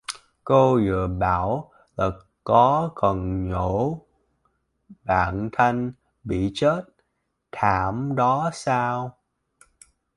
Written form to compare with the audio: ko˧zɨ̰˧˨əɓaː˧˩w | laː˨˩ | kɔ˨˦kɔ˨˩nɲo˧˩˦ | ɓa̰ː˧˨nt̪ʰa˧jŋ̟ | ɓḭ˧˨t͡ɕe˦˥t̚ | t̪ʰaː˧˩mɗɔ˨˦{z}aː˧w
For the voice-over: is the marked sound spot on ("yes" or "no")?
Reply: no